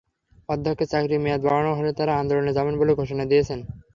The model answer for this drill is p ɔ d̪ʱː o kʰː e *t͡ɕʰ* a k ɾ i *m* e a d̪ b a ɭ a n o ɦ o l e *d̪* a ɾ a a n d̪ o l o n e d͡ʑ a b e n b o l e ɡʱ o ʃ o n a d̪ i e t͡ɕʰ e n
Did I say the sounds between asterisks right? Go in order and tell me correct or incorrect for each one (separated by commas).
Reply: incorrect, correct, incorrect